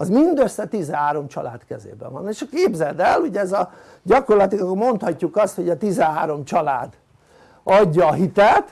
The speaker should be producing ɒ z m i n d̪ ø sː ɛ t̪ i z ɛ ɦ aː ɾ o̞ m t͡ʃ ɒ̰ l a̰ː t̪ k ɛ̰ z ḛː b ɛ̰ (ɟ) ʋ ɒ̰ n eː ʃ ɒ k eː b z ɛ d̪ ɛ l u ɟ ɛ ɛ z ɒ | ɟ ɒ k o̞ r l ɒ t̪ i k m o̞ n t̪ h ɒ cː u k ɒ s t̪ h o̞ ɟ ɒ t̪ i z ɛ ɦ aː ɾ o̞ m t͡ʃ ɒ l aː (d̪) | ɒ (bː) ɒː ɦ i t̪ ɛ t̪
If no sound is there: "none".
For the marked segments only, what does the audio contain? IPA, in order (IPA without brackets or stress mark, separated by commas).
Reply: none, d̪, ɟː